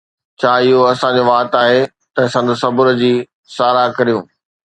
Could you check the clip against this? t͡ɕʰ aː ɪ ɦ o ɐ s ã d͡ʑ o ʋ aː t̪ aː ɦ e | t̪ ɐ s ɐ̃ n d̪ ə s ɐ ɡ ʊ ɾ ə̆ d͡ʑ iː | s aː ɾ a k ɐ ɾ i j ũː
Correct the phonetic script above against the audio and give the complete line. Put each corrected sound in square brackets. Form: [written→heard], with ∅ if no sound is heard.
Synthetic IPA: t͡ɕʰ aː ɪ ɦ o ɐ s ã d͡ʑ o ʋ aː t̪ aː ɦ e | t̪ ɐ s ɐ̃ n d̪ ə s ɐ [ɡ→b] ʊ ɾ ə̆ d͡ʑ iː | s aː ɾ a k ɐ ɾ i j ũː